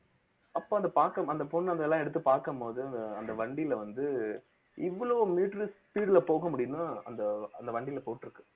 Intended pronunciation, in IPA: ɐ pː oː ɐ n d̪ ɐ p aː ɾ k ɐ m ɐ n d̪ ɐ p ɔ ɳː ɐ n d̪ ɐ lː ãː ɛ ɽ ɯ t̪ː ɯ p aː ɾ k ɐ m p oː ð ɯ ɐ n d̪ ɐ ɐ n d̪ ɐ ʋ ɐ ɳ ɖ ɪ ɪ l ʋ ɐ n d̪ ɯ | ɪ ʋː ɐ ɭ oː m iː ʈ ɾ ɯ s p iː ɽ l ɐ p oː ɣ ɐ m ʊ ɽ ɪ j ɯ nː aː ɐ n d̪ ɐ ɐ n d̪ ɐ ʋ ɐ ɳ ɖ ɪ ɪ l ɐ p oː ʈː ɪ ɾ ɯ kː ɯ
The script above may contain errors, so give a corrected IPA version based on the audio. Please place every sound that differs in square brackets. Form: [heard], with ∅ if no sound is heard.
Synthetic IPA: ɐ pː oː ɐ n d̪ ɐ p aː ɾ k ɐ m ɐ n d̪ ɐ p ɔ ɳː ɐ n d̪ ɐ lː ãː ɛ ɽ ɯ t̪ː ɯ p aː ɾ k ɐ m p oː ð ɯ ɐ n d̪ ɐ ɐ n d̪ ɐ ʋ ɐ ɳ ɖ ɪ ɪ l ʋ ɐ n d̪ ɯ | ɪ ʋː ɐ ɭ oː m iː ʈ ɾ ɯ s p iː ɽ l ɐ p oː ɣ ɐ m ʊ ɽ ɪ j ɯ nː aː ɐ n d̪ ɐ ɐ n d̪ ɐ ʋ ɐ ɳ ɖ ɪ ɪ l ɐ p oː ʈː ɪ ɾ ɯ kː ɯ